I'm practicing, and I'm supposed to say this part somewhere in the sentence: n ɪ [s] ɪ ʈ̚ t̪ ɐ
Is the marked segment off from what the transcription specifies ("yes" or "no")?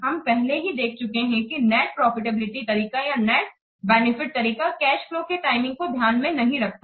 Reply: yes